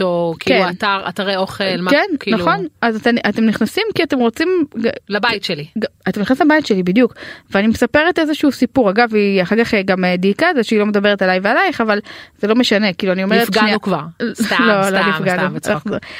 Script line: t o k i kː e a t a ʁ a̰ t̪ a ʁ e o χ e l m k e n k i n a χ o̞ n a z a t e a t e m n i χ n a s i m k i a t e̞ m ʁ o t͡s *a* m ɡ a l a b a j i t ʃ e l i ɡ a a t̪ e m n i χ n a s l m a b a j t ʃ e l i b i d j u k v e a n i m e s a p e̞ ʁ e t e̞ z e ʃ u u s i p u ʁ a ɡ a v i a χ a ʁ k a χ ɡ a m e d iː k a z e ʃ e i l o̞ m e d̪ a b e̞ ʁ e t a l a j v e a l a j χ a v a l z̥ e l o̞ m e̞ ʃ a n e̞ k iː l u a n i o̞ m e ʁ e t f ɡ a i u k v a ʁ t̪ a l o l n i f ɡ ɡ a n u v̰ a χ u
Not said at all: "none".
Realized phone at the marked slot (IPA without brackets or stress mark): i